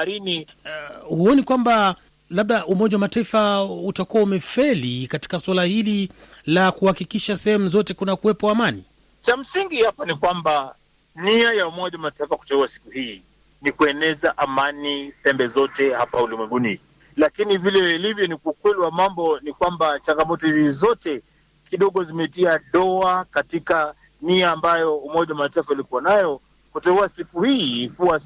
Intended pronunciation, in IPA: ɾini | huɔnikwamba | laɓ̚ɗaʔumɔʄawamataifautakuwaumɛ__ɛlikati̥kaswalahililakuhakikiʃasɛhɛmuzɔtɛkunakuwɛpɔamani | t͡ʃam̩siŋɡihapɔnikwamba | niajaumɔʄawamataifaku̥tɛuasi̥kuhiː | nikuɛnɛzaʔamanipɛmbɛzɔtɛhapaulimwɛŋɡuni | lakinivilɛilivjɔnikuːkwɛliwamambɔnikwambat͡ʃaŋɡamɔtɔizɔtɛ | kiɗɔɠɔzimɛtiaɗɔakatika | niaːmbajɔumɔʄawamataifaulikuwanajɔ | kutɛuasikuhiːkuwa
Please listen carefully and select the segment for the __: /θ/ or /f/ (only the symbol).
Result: f